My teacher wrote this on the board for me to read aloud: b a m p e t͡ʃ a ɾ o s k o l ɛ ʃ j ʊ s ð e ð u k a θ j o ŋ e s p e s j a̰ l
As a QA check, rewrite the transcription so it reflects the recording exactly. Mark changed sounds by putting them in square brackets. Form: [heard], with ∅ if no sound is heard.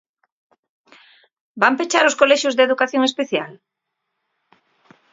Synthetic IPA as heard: b a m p e t͡ʃ a ɾ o s k o l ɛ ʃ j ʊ [z] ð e ð u k a θ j o ŋ e s p e [θ] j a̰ l